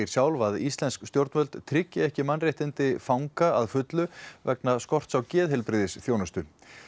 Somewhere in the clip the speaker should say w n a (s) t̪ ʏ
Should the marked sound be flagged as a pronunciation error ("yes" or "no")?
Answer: no